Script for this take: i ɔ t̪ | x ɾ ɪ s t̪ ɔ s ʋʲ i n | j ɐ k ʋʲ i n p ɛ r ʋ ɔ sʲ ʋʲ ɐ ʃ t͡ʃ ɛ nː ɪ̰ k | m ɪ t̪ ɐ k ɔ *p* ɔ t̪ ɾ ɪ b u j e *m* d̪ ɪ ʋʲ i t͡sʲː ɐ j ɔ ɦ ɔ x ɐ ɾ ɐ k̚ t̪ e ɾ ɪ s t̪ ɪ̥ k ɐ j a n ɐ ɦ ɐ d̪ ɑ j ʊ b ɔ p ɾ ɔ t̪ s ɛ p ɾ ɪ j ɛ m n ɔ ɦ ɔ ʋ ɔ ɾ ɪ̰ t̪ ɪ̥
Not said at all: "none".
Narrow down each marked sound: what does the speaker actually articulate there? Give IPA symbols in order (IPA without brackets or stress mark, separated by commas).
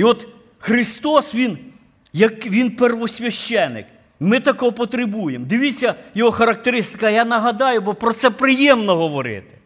p, m